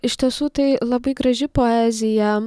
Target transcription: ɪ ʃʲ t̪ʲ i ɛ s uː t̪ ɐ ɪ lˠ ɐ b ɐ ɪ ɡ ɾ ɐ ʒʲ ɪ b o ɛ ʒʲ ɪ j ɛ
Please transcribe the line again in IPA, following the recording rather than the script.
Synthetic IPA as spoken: ɪ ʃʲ t̪ʲ i ɛ s uː t̪ ɐ ɪ lˠ ɐ b ɐ ɪ ɡ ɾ ɐ ʒʲ ɪ p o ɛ zʲ ɪ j ɛ